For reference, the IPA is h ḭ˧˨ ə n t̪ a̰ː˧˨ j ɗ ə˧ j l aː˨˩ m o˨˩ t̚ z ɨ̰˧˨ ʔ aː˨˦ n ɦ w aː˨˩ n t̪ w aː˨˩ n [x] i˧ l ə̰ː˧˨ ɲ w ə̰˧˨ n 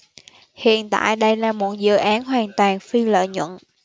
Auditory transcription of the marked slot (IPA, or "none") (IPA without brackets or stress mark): f